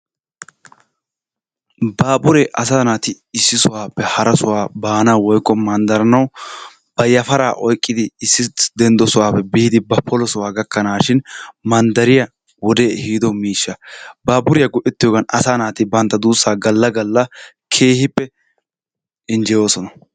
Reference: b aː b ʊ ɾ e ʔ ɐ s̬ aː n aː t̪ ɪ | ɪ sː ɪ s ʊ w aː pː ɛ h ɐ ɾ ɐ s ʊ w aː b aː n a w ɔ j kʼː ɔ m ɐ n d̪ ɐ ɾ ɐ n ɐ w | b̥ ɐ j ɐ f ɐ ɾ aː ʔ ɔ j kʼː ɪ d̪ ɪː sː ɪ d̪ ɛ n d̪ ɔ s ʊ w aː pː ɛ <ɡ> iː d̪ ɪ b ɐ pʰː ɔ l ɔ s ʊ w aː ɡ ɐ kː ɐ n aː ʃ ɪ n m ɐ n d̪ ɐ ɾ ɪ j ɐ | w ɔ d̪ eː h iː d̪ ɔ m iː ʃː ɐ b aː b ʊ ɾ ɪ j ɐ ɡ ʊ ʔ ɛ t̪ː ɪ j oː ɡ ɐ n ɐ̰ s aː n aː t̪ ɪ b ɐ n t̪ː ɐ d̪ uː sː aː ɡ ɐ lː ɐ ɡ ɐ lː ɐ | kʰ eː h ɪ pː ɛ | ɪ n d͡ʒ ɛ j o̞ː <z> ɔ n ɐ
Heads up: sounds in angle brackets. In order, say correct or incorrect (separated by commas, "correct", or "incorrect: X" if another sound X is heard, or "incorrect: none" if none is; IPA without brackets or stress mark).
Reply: incorrect: b, incorrect: s